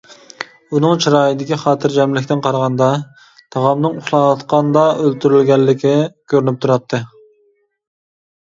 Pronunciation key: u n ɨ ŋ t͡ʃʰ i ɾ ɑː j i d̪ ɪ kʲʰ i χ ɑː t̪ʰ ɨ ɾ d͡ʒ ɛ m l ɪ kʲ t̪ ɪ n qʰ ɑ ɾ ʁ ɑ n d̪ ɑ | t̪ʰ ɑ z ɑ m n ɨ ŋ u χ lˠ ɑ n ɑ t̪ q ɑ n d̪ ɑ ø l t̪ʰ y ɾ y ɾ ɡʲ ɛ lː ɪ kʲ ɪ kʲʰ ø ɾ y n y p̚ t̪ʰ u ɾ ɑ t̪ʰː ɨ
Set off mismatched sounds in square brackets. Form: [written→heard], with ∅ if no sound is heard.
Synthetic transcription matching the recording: u n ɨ ŋ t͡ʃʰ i ɾ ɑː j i d̪ ɪ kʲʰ i χ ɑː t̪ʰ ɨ ɾ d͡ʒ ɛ m l ɪ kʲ t̪ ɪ n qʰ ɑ ɾ ʁ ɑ n d̪ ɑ | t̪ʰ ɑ [z→ʁ] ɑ m n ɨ ŋ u χ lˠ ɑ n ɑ t̪ q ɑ n d̪ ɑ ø l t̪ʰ y ɾ y [ɾ→l] ɡʲ ɛ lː ɪ kʲ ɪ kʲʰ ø ɾ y n y p̚ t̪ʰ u ɾ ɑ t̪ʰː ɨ